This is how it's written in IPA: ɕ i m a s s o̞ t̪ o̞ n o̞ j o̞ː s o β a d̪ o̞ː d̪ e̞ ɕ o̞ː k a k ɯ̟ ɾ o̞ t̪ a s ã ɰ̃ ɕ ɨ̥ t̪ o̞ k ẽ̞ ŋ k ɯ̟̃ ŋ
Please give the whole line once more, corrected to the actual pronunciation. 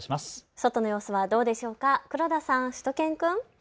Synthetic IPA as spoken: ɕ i m a s s o̞ t̪ o̞ n o̞ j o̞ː s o β a d̪ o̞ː d̪ e̞ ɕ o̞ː k a k ɯ̟ ɾ o̞ d̪ a s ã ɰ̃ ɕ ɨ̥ t̪ o̞ k ẽ̞ ŋ k ɯ̟̃ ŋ